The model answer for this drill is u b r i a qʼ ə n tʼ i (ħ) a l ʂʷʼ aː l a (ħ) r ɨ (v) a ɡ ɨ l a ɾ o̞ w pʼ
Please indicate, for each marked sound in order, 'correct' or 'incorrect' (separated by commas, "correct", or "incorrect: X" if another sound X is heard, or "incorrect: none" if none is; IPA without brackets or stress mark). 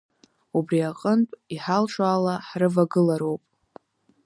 correct, correct, correct